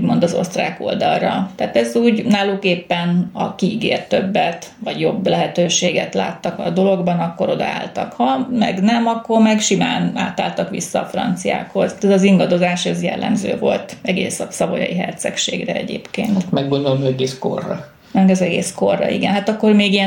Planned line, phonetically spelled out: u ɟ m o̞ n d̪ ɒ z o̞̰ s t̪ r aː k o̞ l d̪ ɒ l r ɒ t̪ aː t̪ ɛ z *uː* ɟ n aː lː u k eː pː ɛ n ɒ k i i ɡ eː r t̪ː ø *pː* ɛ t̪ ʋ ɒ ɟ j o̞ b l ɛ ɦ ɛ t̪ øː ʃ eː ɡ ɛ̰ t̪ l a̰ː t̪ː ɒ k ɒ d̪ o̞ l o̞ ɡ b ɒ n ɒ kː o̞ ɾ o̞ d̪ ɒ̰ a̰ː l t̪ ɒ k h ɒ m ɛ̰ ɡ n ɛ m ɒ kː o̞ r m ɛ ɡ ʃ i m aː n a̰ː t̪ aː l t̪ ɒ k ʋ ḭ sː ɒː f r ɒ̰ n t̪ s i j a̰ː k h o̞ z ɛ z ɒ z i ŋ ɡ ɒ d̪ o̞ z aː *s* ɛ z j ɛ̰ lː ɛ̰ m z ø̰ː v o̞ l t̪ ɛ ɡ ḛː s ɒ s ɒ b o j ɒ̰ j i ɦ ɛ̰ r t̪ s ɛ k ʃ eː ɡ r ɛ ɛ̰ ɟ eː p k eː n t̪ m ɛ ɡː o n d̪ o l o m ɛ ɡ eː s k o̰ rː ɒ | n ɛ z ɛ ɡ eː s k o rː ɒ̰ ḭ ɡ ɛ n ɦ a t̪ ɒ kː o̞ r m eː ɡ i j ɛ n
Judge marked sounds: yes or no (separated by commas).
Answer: yes, no, no